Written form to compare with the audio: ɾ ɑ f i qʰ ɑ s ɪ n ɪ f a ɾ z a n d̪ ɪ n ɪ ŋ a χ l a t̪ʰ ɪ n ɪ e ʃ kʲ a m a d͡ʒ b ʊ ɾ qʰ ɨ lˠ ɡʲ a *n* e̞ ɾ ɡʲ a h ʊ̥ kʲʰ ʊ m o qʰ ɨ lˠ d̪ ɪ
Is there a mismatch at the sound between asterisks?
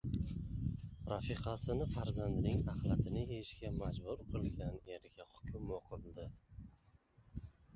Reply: no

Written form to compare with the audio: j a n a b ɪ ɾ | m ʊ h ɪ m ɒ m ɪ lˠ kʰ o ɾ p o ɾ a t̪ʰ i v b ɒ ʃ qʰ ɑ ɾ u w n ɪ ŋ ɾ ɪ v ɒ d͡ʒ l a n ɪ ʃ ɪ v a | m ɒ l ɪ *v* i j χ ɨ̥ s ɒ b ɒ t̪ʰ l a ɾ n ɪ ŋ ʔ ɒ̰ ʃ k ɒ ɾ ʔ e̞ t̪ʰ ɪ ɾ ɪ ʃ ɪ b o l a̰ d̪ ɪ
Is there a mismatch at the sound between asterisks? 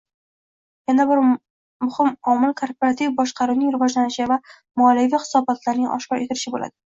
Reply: no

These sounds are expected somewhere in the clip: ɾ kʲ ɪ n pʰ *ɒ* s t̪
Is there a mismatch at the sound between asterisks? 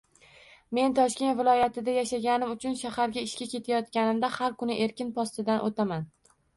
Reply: no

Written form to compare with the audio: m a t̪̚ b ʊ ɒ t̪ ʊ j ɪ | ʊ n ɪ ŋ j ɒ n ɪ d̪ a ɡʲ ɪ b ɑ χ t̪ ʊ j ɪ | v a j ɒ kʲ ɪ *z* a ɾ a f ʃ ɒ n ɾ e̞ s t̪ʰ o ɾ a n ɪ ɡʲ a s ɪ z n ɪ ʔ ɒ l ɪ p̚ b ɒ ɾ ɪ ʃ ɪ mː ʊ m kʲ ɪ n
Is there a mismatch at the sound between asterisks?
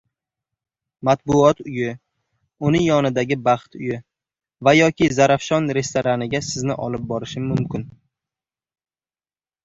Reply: no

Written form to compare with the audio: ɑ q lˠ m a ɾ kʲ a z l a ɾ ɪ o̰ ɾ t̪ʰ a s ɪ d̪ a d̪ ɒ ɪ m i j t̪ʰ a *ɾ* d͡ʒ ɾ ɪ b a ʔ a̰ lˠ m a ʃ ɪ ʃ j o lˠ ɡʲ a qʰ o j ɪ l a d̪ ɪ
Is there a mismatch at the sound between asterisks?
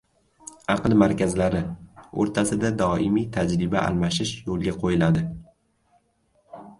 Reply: yes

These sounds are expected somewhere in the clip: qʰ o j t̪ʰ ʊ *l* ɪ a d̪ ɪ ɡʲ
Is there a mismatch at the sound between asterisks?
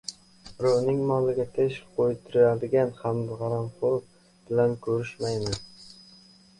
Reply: yes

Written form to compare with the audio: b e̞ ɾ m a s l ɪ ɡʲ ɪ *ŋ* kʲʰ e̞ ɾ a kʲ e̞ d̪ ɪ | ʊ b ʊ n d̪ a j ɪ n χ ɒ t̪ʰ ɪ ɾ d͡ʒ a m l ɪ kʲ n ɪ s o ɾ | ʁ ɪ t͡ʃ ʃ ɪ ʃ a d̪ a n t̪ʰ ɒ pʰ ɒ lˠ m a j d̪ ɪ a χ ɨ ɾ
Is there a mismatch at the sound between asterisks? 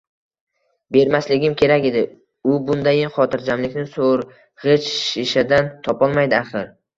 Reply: yes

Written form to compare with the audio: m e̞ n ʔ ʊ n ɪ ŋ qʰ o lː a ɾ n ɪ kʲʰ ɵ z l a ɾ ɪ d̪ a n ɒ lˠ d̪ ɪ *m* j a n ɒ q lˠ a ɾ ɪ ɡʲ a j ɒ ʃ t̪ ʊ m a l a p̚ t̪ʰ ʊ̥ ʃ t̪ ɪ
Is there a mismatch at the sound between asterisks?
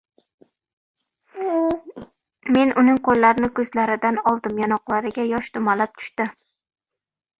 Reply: no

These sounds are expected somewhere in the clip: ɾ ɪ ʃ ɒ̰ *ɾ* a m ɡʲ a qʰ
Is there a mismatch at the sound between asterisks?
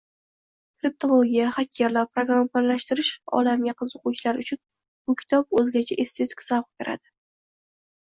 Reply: yes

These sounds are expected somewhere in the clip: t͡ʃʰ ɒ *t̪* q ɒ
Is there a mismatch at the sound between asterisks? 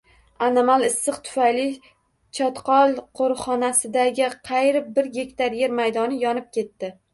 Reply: no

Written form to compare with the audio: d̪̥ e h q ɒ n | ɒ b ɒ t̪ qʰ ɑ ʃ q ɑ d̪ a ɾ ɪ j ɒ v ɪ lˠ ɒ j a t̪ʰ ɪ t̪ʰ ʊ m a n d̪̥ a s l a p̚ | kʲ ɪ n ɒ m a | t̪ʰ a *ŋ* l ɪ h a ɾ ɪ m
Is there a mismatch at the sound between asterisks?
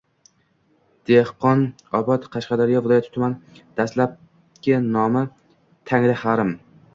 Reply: no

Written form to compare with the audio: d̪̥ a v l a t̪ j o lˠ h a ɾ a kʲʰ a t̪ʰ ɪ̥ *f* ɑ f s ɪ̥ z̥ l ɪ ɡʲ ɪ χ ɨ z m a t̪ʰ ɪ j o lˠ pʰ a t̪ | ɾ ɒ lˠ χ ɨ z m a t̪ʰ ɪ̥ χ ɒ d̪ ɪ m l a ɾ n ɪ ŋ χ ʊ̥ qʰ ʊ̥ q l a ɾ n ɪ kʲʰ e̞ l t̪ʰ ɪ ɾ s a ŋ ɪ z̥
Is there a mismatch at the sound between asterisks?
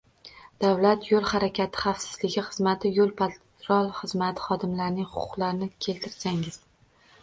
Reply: yes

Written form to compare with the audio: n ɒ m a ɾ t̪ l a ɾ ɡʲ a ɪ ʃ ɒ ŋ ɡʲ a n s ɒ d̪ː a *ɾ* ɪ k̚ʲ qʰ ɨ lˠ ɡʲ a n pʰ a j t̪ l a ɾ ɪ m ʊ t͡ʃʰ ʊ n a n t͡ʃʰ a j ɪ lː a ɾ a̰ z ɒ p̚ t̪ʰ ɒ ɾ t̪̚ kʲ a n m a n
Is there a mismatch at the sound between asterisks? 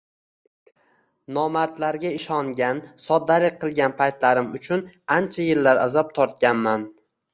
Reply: yes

